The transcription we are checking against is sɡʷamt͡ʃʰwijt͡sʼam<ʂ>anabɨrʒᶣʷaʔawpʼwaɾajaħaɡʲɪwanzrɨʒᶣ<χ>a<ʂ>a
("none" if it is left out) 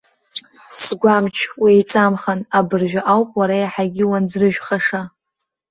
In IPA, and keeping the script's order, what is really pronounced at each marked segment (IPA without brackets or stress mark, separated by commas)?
χ, χ, ʂ